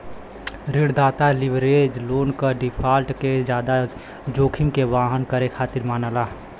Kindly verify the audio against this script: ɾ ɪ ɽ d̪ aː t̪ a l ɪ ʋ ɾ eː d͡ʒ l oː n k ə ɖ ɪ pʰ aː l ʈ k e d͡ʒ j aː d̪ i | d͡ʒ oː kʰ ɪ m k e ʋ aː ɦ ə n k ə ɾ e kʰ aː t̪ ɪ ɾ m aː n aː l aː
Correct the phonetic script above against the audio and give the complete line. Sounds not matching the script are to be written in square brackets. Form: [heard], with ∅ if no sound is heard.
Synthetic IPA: ɾ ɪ ɽ d̪ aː t̪ a l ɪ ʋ ɾ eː d͡ʒ l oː n k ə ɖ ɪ pʰ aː l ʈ k e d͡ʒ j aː d̪ [a] | d͡ʒ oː kʰ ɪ m k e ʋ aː ɦ ə n k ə ɾ e kʰ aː t̪ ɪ ɾ m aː n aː l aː